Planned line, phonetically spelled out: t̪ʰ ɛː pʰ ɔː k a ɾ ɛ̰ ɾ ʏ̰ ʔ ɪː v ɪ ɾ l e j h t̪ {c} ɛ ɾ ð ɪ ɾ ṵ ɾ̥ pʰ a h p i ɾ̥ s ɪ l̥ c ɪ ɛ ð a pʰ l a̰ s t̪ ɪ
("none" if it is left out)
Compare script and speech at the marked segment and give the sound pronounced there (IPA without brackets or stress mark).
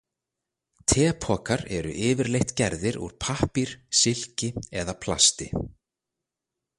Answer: c